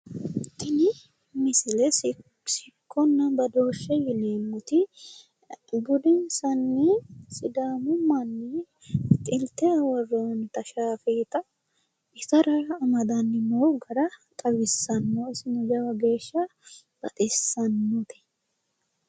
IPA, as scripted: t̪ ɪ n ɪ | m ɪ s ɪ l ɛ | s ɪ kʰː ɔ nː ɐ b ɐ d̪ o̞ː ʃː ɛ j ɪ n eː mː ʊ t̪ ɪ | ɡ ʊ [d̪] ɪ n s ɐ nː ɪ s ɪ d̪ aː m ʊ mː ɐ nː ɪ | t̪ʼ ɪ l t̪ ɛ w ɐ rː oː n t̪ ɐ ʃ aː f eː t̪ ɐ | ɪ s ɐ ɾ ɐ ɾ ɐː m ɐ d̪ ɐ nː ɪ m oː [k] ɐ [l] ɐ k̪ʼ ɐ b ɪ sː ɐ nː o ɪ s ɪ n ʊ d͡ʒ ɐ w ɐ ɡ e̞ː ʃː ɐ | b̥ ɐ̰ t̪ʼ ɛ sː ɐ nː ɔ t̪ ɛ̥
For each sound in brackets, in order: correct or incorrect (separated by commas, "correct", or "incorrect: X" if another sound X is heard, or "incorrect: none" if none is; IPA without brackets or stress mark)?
correct, incorrect: ɡ, incorrect: ɾ